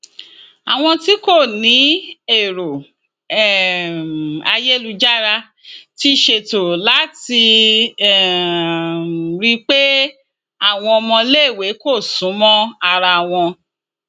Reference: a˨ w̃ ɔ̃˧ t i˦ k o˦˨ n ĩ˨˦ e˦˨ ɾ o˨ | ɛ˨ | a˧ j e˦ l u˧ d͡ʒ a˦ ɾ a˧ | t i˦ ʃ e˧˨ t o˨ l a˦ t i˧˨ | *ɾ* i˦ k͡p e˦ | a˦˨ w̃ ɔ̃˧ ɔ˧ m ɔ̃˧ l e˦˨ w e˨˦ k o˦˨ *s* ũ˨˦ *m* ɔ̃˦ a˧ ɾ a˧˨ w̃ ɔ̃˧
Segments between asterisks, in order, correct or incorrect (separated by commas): correct, correct, correct